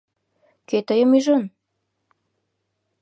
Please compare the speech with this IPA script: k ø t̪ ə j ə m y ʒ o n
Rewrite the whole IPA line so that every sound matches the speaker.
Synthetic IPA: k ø t̪ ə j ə m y ʒ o n